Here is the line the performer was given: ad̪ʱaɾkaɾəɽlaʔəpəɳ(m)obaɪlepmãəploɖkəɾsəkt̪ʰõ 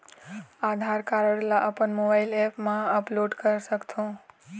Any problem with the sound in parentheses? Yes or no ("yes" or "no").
no